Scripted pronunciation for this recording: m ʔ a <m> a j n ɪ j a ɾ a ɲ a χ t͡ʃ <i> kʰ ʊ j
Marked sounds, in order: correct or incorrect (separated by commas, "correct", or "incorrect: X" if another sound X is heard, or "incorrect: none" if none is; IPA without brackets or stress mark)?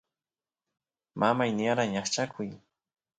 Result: correct, incorrect: a